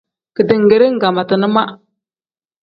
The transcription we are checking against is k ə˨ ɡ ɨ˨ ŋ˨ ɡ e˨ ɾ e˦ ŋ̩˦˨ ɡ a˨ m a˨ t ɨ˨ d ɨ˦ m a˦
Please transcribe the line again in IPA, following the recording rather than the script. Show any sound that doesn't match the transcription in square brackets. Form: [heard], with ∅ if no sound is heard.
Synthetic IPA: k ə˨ [d] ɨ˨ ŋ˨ ɡ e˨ ɾ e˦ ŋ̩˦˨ ɡ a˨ m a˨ t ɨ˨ [n] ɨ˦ m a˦